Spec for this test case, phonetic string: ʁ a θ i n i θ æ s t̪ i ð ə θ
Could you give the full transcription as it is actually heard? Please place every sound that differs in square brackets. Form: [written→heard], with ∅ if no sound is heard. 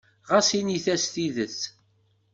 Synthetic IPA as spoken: ʁ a [θ→s] i n i θ æ s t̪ i ð ə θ